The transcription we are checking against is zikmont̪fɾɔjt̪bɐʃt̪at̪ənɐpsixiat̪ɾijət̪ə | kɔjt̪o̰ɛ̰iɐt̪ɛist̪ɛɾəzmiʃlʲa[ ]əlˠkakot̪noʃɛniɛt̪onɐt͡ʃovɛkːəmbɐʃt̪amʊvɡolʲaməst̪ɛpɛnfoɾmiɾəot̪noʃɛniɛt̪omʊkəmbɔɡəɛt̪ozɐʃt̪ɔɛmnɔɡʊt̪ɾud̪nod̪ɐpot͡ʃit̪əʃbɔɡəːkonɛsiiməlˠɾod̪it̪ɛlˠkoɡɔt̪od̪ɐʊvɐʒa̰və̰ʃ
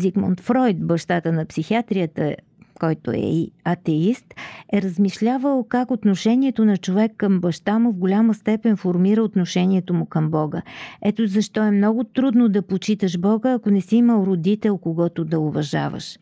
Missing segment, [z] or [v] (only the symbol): v